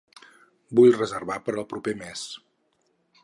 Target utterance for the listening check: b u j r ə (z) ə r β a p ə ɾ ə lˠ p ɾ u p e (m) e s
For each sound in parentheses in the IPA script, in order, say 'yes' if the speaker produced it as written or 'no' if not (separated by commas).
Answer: yes, yes